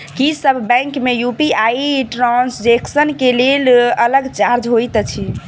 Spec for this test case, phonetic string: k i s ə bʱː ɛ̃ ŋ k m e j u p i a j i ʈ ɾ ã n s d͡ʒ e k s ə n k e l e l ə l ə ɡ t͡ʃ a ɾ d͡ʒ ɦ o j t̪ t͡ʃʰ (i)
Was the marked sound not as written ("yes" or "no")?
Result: no